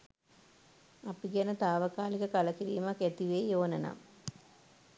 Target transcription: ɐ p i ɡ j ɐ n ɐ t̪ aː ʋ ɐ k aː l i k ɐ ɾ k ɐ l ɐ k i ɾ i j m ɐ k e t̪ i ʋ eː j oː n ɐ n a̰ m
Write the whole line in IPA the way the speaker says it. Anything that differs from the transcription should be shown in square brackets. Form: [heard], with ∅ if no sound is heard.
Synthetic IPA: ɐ p i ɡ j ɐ n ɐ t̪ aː ʋ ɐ k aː l i k ɐ [∅] k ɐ l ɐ k i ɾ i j m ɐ k e t̪ i ʋ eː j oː n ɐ n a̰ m